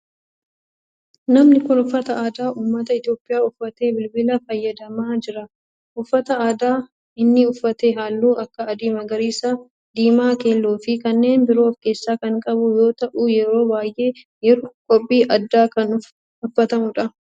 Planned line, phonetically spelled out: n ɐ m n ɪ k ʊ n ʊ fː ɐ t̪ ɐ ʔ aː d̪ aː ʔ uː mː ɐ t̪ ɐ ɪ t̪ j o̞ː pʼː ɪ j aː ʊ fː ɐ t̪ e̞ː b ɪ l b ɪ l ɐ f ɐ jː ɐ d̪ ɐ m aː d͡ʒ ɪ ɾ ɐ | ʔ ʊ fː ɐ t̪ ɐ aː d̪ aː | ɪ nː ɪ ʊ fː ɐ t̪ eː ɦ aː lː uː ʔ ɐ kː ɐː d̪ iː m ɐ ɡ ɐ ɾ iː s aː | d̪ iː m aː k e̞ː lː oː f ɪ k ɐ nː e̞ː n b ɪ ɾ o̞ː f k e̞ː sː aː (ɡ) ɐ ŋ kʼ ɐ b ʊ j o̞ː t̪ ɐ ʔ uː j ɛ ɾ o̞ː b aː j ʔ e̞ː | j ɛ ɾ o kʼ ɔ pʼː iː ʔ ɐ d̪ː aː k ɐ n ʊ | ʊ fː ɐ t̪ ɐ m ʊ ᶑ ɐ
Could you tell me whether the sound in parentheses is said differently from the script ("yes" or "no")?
yes